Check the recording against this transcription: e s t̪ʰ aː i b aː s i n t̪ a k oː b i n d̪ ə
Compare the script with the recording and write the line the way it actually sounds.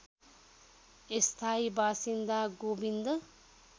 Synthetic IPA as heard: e s t̪ʰ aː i b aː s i n d̪ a ɡ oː b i n d̪ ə